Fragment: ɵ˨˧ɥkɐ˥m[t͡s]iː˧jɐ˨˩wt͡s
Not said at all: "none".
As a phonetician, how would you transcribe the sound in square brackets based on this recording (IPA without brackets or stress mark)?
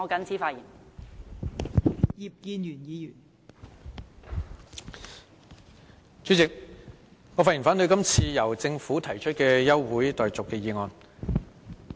t͡sʰ